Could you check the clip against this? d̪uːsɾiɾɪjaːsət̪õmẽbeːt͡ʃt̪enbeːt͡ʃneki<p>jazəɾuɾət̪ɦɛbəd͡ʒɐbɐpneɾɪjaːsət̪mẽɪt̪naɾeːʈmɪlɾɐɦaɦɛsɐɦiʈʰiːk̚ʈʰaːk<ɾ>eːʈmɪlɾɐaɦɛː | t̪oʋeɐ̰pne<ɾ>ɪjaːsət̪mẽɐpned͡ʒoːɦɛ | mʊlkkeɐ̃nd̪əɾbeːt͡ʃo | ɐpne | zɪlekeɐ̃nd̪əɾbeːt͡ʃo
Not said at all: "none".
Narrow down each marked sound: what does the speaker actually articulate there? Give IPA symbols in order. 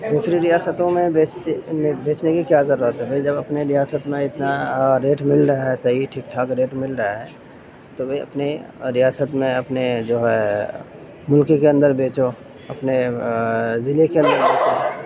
k, ɾ, ɾ

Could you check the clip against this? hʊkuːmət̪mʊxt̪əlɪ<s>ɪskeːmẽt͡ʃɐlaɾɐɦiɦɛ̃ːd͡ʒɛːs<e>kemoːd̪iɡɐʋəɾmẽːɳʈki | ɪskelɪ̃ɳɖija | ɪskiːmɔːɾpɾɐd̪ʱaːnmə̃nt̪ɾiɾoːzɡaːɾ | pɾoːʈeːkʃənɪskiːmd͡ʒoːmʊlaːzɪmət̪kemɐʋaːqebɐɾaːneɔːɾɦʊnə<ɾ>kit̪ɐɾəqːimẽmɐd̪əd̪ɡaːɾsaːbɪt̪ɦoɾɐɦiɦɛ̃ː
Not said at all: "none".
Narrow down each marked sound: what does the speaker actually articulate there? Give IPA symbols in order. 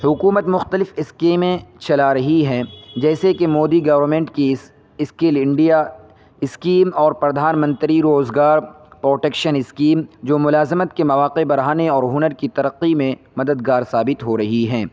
f, e, ɾ

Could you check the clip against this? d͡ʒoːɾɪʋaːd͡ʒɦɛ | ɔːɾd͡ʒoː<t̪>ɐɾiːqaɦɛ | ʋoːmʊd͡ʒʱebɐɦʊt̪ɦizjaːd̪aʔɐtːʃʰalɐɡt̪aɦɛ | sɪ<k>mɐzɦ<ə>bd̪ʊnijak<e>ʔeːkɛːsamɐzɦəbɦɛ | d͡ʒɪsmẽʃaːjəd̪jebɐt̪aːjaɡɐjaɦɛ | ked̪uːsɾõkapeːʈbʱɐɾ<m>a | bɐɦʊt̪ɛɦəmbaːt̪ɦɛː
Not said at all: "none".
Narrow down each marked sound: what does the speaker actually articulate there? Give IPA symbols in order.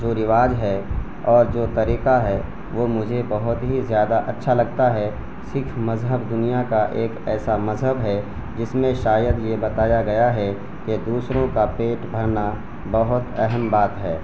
t̪, kʰ, ə, a, n

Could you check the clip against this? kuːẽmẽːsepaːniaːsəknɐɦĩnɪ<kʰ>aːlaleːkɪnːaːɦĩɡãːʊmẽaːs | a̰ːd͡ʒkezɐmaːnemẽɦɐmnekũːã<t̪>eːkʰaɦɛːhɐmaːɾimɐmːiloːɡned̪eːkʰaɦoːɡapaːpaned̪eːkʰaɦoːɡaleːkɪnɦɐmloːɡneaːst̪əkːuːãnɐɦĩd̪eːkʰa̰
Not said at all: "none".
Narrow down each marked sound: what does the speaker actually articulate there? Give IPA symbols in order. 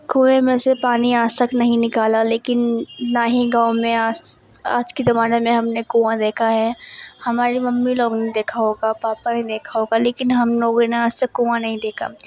k, d̪

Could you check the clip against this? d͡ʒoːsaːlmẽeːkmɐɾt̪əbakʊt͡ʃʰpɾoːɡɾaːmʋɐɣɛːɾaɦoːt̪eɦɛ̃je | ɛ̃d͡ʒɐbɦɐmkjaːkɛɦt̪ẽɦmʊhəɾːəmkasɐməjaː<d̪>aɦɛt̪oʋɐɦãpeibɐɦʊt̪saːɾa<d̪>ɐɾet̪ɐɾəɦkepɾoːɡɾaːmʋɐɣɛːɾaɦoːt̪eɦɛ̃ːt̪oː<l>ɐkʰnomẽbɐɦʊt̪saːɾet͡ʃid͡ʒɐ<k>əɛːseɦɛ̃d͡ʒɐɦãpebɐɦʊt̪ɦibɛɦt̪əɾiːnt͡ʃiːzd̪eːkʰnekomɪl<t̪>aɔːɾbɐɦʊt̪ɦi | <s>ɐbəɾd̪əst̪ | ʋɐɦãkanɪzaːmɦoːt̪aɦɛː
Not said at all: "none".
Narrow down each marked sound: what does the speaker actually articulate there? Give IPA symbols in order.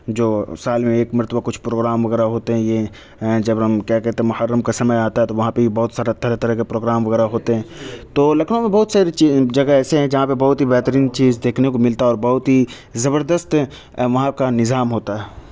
t̪, t̪, l, ɡ, t̪, z

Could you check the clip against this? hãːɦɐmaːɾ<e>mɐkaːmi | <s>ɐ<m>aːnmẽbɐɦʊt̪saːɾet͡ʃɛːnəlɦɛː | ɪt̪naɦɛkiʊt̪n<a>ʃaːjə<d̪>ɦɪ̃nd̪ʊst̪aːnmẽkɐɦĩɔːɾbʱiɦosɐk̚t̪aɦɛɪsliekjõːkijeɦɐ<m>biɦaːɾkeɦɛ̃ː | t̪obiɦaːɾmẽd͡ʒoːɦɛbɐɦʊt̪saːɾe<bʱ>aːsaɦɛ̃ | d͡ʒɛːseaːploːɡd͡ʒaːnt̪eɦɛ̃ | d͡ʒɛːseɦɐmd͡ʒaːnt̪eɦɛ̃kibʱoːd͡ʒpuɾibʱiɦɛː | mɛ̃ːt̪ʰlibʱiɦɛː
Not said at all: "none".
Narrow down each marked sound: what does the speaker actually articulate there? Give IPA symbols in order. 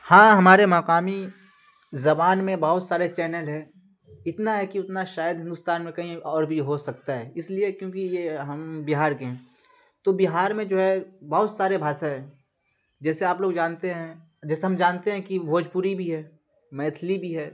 e, z, b, a, d̪, m, bʱ

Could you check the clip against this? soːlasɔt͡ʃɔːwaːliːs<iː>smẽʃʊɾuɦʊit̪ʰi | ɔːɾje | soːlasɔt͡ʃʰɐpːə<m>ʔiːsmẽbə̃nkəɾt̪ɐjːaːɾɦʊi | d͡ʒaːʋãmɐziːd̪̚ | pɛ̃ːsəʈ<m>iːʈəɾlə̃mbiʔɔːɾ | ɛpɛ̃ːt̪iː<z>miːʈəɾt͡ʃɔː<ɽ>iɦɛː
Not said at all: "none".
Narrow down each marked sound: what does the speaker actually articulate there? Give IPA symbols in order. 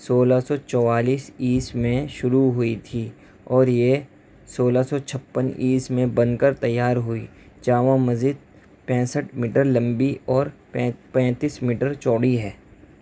iː, n, m, s, ɽ

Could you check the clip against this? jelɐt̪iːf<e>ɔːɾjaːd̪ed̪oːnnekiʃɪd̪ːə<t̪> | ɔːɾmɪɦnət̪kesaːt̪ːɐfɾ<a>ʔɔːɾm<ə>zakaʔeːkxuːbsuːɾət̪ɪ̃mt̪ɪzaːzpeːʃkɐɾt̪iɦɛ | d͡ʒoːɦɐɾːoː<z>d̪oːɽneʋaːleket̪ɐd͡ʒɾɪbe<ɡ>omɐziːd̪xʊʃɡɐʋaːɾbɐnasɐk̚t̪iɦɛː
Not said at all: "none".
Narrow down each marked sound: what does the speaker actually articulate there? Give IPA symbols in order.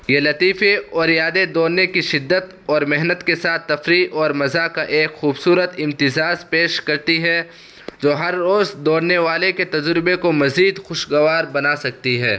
e, t̪, i, ɐ, z, k

